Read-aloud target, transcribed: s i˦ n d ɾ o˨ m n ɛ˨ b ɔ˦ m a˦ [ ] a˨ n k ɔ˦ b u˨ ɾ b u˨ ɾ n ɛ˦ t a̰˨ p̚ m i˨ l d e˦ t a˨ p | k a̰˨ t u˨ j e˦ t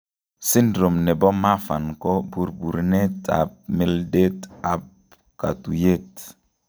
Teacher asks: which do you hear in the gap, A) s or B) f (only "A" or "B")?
B